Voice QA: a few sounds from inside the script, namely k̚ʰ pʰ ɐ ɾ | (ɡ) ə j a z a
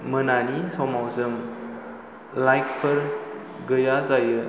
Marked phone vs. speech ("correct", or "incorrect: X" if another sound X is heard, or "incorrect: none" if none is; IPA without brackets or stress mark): correct